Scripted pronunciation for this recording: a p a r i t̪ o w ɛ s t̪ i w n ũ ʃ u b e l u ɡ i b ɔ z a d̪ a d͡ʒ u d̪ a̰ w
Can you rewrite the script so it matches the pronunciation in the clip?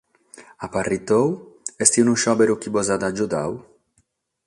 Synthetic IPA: a p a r i t̪ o w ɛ s t̪ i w n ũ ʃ ɔ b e ɾ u k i b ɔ z a d̪ a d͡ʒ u d̪ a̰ w